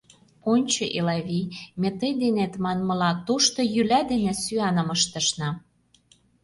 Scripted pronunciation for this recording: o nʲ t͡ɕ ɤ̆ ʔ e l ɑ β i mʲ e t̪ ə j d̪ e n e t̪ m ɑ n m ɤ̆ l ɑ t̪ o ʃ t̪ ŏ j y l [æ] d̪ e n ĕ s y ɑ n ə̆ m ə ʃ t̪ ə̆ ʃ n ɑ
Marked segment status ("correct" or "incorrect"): correct